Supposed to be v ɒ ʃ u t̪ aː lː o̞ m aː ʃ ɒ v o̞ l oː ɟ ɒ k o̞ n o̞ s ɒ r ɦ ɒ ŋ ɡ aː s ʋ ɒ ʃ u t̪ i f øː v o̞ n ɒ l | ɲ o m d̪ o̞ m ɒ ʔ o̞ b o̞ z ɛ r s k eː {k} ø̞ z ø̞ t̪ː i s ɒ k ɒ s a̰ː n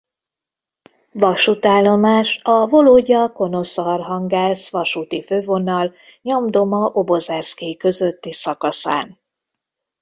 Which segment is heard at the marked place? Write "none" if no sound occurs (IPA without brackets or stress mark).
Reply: k